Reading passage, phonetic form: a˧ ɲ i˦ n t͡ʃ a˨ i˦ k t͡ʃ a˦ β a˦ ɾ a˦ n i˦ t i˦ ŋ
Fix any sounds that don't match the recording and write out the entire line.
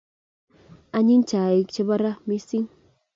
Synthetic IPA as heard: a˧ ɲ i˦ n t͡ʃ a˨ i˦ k t͡ʃ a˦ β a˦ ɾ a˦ m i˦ s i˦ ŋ